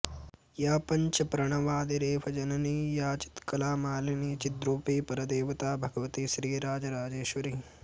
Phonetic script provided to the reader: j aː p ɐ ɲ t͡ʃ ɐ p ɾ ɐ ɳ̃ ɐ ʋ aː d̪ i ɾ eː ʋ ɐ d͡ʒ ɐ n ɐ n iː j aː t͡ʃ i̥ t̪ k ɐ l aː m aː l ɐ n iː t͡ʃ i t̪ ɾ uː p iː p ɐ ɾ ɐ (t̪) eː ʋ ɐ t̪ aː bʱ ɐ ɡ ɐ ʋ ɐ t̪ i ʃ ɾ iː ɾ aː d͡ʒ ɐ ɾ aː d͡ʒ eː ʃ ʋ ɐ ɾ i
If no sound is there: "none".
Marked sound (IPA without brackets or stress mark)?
d̪